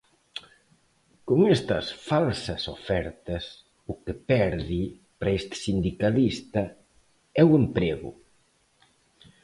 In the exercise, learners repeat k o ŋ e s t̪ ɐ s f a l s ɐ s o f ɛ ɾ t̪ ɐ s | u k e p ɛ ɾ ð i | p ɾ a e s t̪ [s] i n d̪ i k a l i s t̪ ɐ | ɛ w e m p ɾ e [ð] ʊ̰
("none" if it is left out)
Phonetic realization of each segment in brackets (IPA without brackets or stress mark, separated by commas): s, ɣ